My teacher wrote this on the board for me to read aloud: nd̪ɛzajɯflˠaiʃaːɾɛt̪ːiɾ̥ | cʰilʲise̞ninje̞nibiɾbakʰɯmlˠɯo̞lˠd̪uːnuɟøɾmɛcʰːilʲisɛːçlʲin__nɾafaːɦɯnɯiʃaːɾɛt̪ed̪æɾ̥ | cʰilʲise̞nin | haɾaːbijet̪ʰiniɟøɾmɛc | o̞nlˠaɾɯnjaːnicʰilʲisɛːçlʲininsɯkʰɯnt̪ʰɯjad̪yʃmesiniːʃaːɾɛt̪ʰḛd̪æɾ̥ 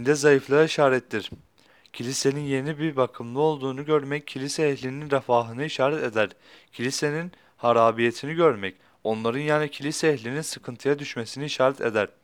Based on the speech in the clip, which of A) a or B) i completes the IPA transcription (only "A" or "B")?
B